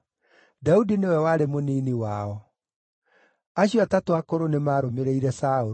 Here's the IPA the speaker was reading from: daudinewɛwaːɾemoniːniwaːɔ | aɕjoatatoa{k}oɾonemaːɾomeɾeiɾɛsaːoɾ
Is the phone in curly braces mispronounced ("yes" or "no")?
no